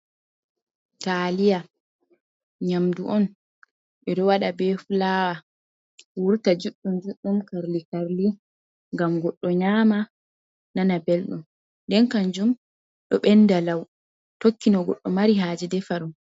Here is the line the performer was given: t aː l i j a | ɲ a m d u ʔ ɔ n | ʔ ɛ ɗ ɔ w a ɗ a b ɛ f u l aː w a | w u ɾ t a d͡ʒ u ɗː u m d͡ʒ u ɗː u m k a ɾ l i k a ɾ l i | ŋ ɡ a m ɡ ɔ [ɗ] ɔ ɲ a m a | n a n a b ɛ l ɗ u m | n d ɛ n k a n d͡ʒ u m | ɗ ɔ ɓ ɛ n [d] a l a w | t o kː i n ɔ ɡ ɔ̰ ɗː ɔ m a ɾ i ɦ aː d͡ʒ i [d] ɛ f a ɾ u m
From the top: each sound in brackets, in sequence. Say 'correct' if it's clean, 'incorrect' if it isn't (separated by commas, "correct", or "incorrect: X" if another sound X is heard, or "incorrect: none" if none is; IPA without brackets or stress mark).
incorrect: ɗː, correct, correct